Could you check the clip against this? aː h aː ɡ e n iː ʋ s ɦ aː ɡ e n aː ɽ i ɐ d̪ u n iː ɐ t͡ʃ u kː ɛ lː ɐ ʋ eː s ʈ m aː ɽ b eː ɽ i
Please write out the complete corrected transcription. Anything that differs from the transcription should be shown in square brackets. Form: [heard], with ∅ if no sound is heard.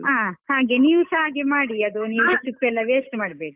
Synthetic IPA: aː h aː ɡ e n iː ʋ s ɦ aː ɡ e [m] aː ɽ i ɐ d̪ u n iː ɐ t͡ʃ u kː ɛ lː ɐ ʋ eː s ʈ m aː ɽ b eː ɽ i